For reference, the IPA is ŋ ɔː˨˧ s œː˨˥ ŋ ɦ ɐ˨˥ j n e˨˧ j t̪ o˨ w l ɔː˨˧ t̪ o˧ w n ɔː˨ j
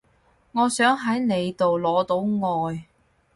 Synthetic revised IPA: ŋ ɔː˨˧ s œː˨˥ ŋ ɦ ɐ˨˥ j n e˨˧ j t̪ o˨ w l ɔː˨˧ t̪ o˨˥ w ŋ ɔː˨ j

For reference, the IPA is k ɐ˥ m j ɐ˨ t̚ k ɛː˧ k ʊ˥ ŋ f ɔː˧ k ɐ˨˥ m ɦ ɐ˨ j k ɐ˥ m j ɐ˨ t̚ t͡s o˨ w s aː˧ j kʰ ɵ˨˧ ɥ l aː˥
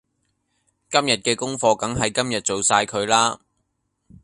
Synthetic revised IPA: k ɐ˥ m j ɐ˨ t̚ k ɛː˧ k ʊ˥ ŋ f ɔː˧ k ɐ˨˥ ŋ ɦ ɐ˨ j k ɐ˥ m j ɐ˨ t̚ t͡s o˨ w s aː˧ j kʰ ɵ˨˧ ɥ l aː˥

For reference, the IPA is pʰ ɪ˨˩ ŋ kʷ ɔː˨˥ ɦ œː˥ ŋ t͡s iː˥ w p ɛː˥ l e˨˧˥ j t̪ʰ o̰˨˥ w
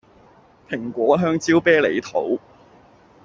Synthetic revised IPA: pʰ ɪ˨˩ ŋ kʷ ɔː˨˥ ɦ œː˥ ŋ t͡s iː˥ w p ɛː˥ l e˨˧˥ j t̪ʰ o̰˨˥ w

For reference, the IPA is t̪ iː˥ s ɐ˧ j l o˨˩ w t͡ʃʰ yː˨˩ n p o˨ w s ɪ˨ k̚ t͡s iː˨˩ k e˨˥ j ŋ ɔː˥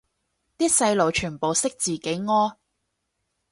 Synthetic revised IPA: t̪ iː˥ s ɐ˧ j l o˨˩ w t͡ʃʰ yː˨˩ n p o˨ w s ɪ˥ k̚ t͡s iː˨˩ k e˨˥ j ŋ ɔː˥

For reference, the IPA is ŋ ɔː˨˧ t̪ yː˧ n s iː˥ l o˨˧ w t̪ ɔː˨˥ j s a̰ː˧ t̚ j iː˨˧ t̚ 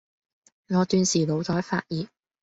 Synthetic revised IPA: ŋ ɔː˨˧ t̪ yː˧ n s iː˨ l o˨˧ w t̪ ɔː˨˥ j f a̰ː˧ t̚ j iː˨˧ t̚

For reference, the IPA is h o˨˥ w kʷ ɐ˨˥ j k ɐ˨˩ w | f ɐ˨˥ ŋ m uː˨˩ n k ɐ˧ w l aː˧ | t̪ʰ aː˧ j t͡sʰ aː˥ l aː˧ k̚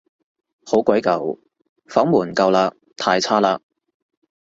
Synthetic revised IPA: h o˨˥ w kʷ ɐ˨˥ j k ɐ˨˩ w | f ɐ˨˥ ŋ m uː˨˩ n k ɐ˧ w l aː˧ | t̪ʰ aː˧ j t͡sʰ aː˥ l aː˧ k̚

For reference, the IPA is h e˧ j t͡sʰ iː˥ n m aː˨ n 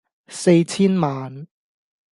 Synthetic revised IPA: s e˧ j t͡sʰ iː˥ n m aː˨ n

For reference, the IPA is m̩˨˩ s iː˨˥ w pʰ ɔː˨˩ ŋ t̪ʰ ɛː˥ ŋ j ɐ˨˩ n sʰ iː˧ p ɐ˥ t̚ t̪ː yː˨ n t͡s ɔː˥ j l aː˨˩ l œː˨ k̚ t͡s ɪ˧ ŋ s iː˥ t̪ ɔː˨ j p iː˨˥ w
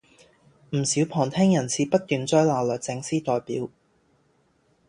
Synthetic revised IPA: m̩˨˩ s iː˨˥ w pʰ ɔː˨˩ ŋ t̪ʰ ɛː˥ ŋ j ɐ˨˩ n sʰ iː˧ p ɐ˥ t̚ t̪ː yː˨ n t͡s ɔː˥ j l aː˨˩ l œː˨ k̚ t͡s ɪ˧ ŋ s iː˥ t̪ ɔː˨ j p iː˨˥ w

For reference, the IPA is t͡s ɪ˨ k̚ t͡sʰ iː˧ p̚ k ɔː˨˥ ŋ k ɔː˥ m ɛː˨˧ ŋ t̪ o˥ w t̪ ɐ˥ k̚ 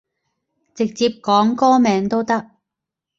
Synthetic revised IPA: t͡s ɪ˨ k̚ t͡s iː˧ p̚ k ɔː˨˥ ŋ k ɔː˥ m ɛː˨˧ ŋ t̪ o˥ w t̪ ɐ˥ k̚

